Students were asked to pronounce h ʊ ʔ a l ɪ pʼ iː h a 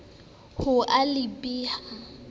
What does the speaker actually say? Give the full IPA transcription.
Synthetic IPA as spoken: h ʊ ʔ a l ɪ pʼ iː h a